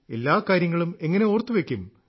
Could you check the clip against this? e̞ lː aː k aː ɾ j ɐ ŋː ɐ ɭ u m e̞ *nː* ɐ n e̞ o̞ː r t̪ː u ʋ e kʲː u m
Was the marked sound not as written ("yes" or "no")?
yes